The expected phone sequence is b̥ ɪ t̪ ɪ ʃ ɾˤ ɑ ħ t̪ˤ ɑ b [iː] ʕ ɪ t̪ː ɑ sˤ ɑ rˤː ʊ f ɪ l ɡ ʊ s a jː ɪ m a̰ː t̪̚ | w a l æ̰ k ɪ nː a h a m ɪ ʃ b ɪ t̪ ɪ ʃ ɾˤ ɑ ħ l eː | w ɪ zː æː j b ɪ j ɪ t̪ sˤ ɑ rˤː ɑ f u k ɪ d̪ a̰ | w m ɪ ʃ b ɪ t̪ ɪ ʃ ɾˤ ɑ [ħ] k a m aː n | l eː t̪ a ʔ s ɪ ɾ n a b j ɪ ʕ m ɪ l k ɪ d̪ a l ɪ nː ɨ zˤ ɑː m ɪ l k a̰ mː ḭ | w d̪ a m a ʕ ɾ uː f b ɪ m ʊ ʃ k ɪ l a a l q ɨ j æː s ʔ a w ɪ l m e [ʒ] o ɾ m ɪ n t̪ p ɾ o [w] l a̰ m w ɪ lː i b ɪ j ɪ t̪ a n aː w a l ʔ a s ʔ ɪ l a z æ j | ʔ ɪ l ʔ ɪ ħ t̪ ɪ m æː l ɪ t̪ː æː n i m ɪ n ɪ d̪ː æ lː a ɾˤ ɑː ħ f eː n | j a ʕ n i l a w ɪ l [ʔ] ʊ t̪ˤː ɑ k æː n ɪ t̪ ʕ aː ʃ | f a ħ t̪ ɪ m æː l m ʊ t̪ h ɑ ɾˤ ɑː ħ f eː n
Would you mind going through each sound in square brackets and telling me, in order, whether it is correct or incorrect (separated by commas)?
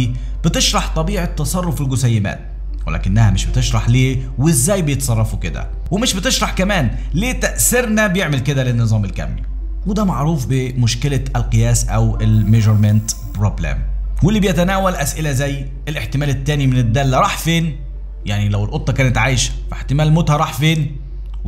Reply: correct, correct, correct, incorrect, correct